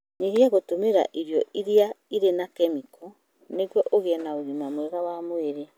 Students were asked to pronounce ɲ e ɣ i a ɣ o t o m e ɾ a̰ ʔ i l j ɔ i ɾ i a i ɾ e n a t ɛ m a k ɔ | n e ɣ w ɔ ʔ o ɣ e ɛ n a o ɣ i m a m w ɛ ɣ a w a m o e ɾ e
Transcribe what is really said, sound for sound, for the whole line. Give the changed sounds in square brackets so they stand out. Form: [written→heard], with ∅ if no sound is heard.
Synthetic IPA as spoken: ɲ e ɣ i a ɣ o t o m e ɾ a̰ ʔ i [l→ɾ] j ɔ i ɾ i a i ɾ e n a [t→k] ɛ m [a→i] k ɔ | n e ɣ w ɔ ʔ o ɣ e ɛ n a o ɣ i m a m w ɛ ɣ a w a m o e ɾ e